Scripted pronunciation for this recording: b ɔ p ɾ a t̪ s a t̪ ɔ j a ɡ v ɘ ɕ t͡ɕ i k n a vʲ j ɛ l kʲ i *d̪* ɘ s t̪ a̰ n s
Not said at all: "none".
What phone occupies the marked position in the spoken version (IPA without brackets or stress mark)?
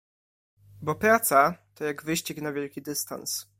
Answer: d̪